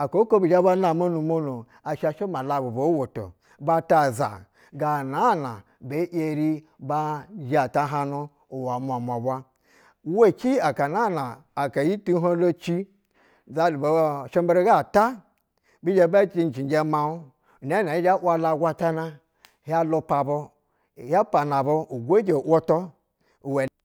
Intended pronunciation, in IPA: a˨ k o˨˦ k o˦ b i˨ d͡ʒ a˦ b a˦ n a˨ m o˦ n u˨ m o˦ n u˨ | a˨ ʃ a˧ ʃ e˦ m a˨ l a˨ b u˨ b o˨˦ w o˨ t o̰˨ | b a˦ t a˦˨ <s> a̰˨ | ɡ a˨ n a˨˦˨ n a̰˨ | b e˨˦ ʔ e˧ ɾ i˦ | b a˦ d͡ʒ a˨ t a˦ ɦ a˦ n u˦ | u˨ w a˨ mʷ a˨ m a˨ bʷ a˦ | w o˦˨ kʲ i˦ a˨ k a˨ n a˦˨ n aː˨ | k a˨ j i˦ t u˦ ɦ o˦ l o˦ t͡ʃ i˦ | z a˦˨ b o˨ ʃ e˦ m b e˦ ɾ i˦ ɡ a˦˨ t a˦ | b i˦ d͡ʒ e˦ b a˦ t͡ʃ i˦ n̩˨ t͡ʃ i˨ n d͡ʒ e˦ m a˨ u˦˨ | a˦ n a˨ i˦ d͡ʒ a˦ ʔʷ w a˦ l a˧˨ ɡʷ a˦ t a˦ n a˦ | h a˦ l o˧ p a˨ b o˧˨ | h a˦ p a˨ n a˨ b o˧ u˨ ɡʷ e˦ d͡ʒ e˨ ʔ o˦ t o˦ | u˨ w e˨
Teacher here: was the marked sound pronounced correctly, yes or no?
no